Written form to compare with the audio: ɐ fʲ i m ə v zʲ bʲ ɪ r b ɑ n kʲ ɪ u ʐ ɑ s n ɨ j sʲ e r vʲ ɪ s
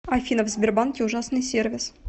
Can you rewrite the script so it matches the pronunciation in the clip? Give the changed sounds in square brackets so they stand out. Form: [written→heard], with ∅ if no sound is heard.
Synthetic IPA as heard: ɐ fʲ i [m→n] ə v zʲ bʲ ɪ r b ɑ n kʲ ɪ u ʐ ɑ s n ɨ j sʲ e r vʲ ɪ s